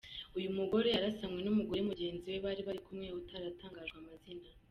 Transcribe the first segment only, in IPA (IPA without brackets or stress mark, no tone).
u